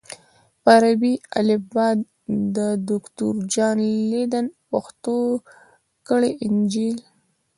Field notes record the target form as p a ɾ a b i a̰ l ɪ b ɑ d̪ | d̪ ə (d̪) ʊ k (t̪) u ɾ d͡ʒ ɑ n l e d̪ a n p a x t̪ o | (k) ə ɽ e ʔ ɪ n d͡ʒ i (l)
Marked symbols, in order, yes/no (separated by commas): yes, yes, yes, yes